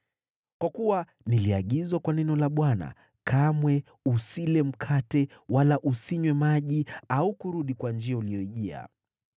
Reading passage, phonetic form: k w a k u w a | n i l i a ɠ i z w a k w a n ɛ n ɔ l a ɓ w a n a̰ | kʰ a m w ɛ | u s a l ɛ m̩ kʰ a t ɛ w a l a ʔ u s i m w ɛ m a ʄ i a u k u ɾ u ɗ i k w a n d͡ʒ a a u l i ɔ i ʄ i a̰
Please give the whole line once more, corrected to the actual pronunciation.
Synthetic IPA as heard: k w a k u w a | n i l i a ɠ i z w a k w a n ɛ n ɔ l a ɓ w a n a̰ | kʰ a m w ɛ | u s i l ɛ m̩ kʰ a t ɛ w a l a ʔ u s i ɲ w ɛ m a ʄ i a u k u ɾ u ɗ i k w a n d͡ʒ i a u l i ɔ i ʄ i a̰